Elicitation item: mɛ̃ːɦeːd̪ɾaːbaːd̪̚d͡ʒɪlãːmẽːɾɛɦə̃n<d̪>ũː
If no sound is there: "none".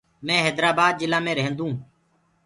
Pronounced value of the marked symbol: d̪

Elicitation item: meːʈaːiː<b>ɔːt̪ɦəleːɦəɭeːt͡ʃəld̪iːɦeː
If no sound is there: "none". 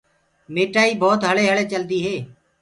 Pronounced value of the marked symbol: b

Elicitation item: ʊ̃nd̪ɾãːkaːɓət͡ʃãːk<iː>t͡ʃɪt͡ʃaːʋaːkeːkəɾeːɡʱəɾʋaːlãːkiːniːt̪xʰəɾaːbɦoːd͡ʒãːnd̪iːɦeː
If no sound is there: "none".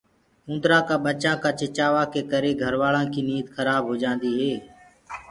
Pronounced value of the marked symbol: aː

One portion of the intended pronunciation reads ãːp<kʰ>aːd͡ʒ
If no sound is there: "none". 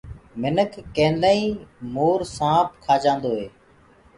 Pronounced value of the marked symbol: kʰ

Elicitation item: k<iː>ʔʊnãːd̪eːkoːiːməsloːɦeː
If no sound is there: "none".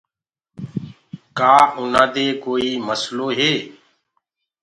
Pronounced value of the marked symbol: aː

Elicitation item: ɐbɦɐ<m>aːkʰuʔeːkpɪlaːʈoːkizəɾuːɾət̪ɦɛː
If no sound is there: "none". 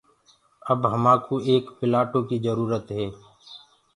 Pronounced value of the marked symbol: m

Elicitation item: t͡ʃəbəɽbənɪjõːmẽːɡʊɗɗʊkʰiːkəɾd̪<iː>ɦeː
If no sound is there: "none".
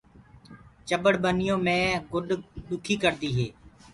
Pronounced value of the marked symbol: iː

